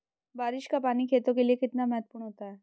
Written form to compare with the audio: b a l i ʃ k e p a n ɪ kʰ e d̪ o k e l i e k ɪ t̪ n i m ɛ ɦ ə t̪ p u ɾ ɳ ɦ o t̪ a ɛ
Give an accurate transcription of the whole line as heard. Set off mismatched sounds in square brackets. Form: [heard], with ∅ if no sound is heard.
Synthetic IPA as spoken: b a [ɾ] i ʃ k [a] p a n [i] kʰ e [t̪] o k e l i e k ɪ t̪ n [a] m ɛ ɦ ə t̪ p u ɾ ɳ ɦ o t̪ a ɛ